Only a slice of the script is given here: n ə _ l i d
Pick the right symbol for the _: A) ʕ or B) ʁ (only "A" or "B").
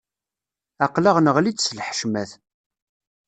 B